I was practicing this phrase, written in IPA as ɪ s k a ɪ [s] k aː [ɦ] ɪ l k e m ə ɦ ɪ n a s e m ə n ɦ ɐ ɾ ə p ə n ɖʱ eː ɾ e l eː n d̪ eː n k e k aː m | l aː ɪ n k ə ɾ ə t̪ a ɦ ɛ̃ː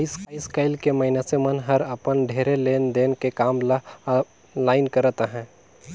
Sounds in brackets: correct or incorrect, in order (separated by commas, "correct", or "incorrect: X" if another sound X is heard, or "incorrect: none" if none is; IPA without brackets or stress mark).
correct, incorrect: none